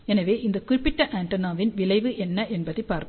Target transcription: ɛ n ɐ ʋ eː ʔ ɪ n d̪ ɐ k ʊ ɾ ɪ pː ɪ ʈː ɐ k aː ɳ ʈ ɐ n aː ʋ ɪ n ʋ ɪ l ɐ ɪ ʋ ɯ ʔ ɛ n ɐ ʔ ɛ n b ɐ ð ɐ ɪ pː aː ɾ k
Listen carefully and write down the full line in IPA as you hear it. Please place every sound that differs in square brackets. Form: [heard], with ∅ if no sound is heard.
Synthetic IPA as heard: ɛ n ɐ ʋ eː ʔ ɪ n d̪ ɐ k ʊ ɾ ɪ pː ɪ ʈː ɐ [ʔ] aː ɳ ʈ ɐ n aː ʋ ɪ n ʋ ɪ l ɐ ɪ ʋ ɯ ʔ ɛ [nː] ɐ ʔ ɛ n b ɐ ð ɐ ɪ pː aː ɾ k